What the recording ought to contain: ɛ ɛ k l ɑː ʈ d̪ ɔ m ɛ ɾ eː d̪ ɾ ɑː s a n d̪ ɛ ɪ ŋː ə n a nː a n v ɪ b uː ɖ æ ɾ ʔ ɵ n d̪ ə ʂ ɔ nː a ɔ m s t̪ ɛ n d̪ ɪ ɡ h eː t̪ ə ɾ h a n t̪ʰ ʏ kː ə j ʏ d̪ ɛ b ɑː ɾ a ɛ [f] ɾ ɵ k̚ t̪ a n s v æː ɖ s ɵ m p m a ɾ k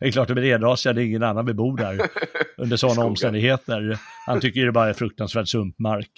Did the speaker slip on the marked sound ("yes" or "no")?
no